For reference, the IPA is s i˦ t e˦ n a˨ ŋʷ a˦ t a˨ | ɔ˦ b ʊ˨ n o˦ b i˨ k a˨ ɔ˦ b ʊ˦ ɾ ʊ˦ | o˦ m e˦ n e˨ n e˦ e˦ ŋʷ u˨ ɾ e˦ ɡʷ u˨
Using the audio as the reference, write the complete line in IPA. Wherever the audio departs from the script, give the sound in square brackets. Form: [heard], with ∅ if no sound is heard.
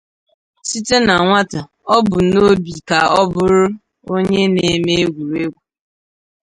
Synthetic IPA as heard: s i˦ t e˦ n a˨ ŋʷ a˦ t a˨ | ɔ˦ b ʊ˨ n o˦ b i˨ k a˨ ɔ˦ b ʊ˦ ɾ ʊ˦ | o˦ [ɲ] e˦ n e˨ [m] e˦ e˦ [ɡʷ] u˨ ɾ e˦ ɡʷ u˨